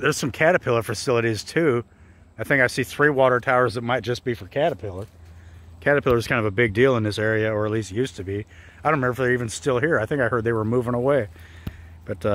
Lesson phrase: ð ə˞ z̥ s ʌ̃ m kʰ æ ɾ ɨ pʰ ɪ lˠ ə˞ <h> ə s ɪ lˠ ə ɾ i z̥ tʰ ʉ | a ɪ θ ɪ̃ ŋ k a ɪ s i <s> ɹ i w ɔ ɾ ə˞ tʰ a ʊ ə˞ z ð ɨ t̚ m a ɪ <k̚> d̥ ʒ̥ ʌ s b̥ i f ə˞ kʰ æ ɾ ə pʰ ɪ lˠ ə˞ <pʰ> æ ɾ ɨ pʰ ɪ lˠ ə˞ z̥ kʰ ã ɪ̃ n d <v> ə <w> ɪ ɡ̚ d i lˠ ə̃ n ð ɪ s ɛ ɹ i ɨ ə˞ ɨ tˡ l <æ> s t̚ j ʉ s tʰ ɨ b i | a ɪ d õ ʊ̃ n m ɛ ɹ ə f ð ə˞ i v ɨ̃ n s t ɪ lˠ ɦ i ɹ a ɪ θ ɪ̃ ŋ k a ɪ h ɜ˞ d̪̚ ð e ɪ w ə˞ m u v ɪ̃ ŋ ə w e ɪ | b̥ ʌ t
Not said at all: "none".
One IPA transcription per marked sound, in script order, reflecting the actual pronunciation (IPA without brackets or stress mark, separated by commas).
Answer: f, θ, t̚, kʰ, v, b, i